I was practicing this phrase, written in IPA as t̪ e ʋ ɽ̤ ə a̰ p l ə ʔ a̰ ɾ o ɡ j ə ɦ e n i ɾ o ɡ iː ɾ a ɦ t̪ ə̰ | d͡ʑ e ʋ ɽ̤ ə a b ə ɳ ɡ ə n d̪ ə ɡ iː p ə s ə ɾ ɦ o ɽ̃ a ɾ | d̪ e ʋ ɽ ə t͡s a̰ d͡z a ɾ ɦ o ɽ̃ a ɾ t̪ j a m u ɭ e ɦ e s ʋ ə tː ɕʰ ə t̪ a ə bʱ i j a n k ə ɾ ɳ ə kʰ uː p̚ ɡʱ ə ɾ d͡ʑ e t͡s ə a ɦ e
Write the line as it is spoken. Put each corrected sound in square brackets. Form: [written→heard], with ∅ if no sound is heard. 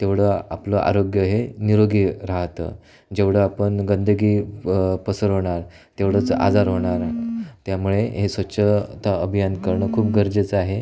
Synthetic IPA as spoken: t̪ e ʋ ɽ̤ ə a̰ p l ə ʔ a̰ ɾ o ɡ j ə ɦ e n i ɾ o ɡ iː ɾ a ɦ t̪ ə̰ | d͡ʑ e ʋ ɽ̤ ə a [b→p] ə ɳ ɡ ə n d̪ ə ɡ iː p ə s ə ɾ ɦ o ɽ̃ a ɾ | [d̪→t̪] e ʋ ɽ ə t͡s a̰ d͡z a ɾ ɦ o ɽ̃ a ɾ t̪ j a m u ɭ e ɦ e s ʋ ə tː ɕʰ ə t̪ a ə bʱ i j a n k ə ɾ ɳ ə kʰ uː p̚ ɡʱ ə ɾ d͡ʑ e t͡s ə a ɦ e